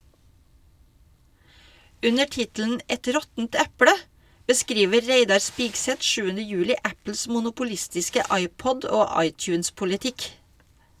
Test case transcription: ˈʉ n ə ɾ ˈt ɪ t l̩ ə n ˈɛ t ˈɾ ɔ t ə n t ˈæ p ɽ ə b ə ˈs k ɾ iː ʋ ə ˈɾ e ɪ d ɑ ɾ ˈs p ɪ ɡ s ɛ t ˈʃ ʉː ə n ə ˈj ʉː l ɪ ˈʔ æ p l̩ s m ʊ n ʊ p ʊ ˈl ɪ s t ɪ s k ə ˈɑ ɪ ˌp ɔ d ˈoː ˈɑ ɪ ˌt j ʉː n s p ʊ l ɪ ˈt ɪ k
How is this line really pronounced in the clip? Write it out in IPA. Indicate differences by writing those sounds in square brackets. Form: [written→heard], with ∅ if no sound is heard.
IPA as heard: ˈʉ n ə ɾ ˈt ɪ t l̩ ə n ˈɛ t ˈɾ ɔ t ə n t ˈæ p ɽ ə b ə ˈs k ɾ iː ʋ ə ˈɾ e ɪ d ɑ ɾ ˈs p ɪ ɡ s ɛ t ˈʃ ʉː ə n ə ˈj ʉː l ɪ ˈʔ æ p l̩ s m ʊ n ʊ p ʊ ˈl ɪ s t ɪ s k ə ˈɑ ɪ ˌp ɔ d ˈoː ˈɑ ɪ ˌt j ʉː n s p ʊ l ɪ ˈt ɪ k